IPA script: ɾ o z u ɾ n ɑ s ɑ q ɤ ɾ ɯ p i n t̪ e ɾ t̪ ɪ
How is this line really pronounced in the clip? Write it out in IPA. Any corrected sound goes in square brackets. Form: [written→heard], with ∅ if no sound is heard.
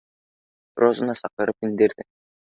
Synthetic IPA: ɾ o z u [ɾ→∅] n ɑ s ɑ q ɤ ɾ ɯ p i n [t̪→d̪] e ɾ [t̪→d̪] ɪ